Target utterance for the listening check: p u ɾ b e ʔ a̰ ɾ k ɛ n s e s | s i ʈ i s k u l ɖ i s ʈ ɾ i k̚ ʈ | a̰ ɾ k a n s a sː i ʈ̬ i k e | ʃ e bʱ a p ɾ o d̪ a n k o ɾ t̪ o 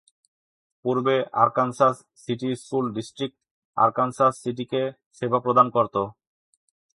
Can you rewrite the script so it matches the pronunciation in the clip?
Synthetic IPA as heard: p u ɾ b e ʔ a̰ ɾ k a n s a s | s i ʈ i s k u l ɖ i s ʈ ɾ i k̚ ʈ | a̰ ɾ k a n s a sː i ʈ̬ i k e | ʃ e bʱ a p ɾ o d̪ a n k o ɾ t̪ o